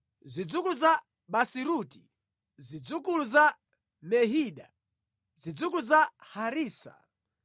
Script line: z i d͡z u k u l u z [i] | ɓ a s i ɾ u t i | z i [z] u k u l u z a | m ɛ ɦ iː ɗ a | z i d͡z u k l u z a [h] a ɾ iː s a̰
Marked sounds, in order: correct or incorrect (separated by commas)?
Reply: incorrect, incorrect, correct